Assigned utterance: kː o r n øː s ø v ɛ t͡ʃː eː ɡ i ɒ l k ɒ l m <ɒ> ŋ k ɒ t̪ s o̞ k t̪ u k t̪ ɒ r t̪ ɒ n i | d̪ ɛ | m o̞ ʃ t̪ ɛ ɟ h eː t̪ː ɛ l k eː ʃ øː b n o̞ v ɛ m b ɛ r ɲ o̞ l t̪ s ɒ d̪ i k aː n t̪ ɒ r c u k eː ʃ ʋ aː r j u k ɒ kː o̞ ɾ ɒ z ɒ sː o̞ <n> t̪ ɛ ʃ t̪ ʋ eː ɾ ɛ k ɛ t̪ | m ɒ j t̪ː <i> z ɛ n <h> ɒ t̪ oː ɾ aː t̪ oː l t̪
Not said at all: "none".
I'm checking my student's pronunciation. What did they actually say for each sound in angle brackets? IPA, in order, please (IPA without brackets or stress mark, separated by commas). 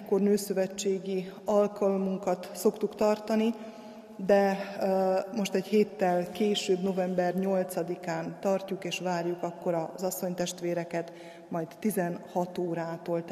u, ɲ, i, h